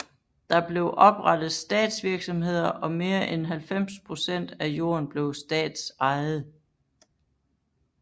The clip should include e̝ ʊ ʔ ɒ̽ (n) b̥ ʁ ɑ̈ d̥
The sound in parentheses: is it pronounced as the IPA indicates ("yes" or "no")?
no